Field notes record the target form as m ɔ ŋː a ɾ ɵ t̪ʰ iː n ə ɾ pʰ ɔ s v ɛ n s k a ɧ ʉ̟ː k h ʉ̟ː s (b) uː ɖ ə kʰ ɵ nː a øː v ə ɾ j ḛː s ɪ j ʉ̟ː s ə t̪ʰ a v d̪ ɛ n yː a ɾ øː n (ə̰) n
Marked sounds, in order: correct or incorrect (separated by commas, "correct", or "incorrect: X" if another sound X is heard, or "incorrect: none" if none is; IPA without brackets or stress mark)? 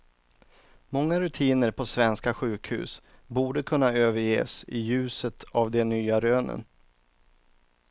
correct, correct